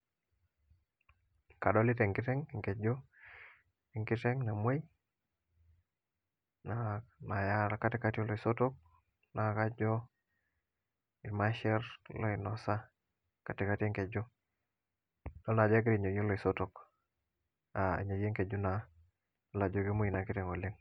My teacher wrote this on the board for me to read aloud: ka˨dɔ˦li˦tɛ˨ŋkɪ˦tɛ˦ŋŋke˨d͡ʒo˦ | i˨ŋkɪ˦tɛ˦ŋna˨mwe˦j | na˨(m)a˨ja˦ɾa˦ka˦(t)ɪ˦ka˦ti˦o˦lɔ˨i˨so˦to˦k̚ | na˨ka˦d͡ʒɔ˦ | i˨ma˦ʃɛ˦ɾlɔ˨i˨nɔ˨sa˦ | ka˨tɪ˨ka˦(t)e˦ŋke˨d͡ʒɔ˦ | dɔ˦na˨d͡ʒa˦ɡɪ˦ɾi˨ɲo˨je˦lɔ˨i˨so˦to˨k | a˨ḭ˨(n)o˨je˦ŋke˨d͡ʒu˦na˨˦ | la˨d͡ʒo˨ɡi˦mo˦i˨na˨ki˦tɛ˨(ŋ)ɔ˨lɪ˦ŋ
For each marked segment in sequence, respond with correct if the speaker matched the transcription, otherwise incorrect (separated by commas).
incorrect, correct, correct, incorrect, correct